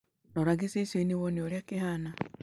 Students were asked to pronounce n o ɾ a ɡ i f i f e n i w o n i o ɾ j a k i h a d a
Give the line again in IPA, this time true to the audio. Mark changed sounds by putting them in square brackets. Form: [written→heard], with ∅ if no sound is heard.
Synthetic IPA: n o ɾ a ɡ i [f→s] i [f→s] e n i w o n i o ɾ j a k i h a [d→n] a